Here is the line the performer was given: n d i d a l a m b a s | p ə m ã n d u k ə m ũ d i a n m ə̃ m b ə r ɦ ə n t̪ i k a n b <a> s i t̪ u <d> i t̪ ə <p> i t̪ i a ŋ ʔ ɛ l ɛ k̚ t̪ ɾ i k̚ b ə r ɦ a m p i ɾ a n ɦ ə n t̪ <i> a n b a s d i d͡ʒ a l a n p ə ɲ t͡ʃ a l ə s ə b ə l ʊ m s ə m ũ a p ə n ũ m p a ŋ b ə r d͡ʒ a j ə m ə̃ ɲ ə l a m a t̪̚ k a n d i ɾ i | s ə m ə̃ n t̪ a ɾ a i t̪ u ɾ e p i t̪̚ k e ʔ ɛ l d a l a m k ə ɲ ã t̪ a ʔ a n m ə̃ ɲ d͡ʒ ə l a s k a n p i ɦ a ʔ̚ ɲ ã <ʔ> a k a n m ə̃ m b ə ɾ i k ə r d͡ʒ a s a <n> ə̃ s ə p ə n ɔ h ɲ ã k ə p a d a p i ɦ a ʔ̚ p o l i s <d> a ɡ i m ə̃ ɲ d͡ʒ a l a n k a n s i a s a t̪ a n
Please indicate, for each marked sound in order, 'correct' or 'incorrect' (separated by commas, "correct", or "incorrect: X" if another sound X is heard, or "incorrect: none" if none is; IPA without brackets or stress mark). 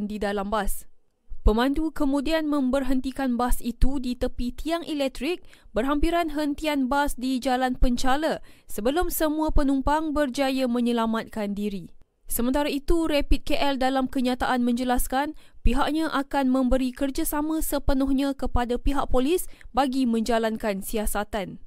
correct, correct, correct, correct, correct, incorrect: m, incorrect: b